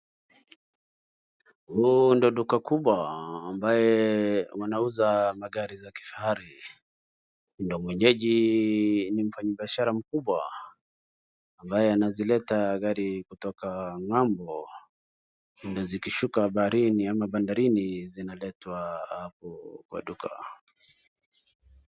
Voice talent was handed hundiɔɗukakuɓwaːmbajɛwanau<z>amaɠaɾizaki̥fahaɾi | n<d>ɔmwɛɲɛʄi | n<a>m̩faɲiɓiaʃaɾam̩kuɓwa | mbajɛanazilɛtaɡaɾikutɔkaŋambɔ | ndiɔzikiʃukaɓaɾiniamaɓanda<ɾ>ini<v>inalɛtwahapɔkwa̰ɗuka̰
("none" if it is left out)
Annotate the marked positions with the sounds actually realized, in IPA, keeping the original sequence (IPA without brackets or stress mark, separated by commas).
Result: z, d, i, ɾ, z